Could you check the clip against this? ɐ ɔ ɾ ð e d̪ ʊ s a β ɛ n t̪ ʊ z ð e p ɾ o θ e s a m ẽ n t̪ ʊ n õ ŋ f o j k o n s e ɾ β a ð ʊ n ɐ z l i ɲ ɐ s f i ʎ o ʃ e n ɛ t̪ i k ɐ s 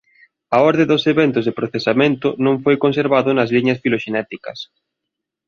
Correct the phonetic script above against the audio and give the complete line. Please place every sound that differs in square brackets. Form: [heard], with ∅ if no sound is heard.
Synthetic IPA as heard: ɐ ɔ ɾ ð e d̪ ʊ s [e] β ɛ n t̪ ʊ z ð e p ɾ o θ e s a m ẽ n t̪ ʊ n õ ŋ f o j k o n s e ɾ β a ð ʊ n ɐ z l i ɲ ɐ s f i [l] o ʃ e n ɛ t̪ i k ɐ s